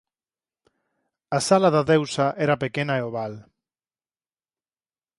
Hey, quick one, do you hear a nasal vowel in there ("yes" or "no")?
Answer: no